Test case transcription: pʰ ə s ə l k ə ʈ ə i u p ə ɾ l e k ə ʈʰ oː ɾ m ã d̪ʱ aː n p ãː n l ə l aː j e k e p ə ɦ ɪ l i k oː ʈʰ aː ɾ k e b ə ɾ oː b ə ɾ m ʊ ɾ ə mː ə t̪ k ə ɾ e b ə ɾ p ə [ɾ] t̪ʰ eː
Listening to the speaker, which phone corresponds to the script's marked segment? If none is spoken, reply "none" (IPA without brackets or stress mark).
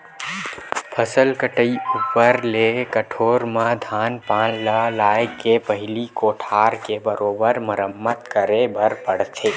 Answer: ɽ